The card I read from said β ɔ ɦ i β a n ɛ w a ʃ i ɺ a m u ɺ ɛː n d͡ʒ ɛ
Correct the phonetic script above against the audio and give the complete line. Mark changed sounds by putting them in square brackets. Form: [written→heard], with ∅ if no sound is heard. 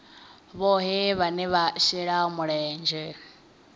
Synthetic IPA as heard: β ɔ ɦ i β a n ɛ [w→β] a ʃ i ɺ a m u ɺ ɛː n d͡ʒ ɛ